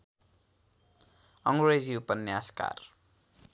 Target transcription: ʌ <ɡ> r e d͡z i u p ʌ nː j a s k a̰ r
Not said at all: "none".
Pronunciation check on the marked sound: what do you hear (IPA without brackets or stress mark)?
ŋ